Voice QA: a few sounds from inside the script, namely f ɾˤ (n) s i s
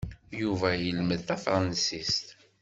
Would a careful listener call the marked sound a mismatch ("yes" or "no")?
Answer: no